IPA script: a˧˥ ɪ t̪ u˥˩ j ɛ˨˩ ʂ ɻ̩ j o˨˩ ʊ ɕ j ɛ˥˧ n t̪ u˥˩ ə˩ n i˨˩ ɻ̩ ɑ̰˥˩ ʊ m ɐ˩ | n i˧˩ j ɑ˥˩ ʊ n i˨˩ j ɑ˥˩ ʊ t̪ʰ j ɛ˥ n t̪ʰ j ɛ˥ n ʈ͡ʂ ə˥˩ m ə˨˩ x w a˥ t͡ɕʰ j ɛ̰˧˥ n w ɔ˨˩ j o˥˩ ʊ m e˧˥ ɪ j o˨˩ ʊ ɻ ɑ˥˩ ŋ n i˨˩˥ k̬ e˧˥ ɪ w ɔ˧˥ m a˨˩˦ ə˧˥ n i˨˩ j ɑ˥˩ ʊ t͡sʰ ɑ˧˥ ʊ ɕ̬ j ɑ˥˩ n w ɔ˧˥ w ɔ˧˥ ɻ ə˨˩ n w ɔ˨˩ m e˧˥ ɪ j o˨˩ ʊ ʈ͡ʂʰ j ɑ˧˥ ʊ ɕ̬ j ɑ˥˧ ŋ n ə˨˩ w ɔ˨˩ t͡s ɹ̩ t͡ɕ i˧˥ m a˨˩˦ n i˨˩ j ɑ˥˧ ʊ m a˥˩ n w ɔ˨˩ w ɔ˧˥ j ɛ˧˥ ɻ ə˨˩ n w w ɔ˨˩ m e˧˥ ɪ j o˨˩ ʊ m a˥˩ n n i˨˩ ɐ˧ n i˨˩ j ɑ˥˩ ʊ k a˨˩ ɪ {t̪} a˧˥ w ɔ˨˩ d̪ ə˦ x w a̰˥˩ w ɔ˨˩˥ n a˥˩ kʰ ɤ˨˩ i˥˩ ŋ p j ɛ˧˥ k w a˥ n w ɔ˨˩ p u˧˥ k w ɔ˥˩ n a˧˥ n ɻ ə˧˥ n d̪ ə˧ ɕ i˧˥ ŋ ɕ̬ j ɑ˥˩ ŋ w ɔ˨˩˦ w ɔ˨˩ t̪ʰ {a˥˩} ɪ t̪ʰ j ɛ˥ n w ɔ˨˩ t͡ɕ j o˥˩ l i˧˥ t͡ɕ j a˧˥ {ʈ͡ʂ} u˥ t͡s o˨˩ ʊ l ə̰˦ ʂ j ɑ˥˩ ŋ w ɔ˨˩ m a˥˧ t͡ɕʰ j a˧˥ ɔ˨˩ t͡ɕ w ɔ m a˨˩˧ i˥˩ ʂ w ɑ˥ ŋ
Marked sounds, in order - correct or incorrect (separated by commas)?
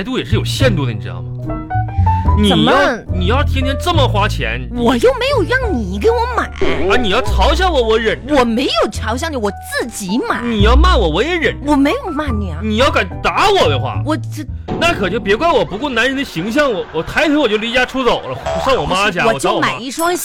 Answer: correct, incorrect, incorrect